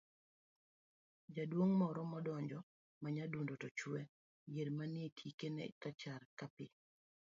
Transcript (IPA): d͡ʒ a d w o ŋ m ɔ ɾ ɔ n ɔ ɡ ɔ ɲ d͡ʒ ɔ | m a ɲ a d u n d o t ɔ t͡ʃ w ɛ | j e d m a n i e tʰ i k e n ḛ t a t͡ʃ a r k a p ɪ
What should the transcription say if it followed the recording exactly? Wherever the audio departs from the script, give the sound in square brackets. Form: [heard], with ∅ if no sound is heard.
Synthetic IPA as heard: d͡ʒ a d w o ŋ m ɔ ɾ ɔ [m] ɔ [d] ɔ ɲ d͡ʒ ɔ | m a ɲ a d u n d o t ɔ t͡ʃ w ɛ | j e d m a n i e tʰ i k e n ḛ t a t͡ʃ a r k a p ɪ